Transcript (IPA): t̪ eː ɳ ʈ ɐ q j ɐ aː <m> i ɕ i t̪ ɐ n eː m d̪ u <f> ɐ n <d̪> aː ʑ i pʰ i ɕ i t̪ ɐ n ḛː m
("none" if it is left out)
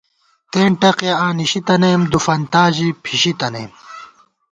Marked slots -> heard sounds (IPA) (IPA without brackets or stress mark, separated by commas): n, f, t̪